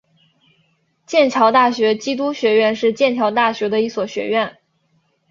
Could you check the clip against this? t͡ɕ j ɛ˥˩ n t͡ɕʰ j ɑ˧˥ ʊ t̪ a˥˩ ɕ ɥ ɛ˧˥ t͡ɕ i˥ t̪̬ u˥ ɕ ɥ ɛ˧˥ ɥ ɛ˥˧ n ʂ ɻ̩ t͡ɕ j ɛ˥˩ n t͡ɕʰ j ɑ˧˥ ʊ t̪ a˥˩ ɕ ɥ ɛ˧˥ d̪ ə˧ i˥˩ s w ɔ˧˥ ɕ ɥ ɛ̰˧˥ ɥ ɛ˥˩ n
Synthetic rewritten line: t͡ɕ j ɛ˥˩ n t͡ɕʰ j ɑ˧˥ ʊ t̪ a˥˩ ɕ ɥ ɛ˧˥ t͡ɕ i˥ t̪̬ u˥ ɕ ɥ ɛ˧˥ ɥ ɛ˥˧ n ʂ ɻ̩ t͡ɕ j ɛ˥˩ n t͡ɕʰ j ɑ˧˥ ʊ t̪ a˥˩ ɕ ɥ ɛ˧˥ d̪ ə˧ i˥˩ s w ɔ˨˩ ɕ ɥ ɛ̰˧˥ ɥ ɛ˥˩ n

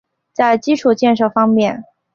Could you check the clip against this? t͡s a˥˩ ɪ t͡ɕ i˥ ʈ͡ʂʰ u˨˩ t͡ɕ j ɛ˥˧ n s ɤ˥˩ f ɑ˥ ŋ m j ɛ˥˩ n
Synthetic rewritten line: t͡s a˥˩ ɪ t͡ɕ i˥ ʈ͡ʂʰ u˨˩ t͡ɕ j ɛ˥˧ n ʂ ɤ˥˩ f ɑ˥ ŋ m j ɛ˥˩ n

